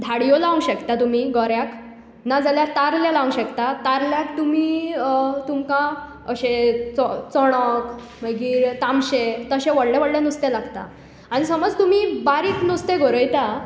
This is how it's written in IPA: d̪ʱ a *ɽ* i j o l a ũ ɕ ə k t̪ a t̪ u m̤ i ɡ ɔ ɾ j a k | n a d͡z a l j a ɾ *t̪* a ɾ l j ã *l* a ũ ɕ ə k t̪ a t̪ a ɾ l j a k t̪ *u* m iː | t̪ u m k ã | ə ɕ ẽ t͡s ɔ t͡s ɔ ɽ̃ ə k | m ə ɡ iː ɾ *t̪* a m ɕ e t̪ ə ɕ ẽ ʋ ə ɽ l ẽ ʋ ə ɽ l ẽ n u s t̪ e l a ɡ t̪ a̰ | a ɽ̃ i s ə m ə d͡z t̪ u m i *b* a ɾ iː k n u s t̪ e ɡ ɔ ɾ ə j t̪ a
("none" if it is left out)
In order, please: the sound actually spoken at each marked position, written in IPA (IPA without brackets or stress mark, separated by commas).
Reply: ɽ, t̪, l, u, t̪, b